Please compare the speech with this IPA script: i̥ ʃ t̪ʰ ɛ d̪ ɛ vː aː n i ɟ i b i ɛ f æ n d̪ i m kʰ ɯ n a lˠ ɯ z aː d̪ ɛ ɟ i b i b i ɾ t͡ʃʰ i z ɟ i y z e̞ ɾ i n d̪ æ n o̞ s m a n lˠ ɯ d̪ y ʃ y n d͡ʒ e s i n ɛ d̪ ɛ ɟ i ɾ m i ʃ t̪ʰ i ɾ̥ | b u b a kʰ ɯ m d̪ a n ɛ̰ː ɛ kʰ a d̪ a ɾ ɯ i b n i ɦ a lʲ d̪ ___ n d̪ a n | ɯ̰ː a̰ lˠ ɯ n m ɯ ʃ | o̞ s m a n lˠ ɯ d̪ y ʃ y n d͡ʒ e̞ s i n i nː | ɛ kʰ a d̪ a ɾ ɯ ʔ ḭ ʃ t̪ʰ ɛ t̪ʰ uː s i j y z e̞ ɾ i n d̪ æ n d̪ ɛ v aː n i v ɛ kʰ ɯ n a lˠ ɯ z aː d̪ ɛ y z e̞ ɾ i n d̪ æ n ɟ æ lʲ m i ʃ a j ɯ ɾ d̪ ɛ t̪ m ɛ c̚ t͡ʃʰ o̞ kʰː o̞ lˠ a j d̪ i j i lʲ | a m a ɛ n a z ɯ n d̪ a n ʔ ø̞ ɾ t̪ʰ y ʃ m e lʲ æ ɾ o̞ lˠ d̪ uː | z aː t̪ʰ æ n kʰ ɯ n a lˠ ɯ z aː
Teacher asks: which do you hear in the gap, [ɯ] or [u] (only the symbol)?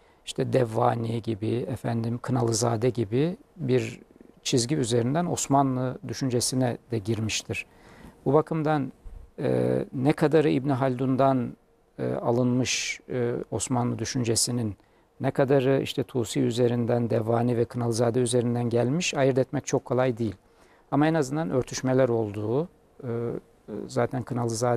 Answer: u